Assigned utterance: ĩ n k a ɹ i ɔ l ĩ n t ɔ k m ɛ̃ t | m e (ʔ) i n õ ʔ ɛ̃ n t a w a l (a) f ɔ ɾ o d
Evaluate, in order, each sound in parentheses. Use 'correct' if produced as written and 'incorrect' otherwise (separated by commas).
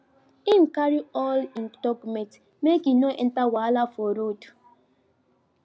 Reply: incorrect, correct